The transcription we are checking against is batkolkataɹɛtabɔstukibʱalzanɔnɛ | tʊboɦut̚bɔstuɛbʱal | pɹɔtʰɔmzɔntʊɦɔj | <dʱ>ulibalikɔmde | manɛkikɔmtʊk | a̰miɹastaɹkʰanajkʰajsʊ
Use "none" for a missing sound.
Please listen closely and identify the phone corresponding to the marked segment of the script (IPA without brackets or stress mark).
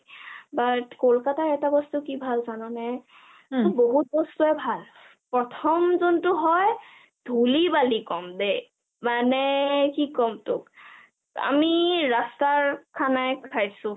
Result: dʱ